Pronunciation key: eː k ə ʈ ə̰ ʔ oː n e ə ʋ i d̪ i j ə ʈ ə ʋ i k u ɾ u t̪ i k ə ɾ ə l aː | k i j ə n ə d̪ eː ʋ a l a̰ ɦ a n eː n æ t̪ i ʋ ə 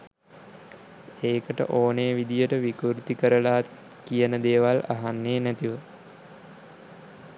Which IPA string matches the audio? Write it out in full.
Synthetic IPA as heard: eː k ə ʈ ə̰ ʔ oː n e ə ʋ i d̪ i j ə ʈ ə ʋ i k u ɾ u t̪ i k ə ɾ ə l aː | k i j ə n ə d̪ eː ʋ a l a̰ ɦ a nː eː n æ t̪ i ʋ ə